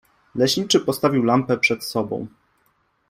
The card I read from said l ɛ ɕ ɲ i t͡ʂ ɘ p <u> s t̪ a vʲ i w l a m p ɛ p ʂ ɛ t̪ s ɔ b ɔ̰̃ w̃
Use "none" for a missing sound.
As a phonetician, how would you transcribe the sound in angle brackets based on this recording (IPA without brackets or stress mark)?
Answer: ɔ